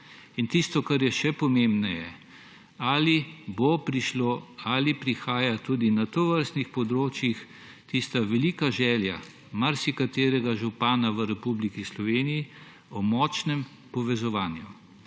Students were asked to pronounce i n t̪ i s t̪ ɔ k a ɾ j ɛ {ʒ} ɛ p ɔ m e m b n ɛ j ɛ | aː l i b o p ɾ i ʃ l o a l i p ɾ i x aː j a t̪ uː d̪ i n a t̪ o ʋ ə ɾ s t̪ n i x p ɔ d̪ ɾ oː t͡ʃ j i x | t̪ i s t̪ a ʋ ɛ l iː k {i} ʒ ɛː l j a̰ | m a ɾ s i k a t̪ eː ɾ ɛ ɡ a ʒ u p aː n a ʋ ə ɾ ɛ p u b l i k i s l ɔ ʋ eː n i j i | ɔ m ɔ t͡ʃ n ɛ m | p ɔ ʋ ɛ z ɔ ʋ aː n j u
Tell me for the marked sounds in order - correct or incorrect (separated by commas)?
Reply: incorrect, incorrect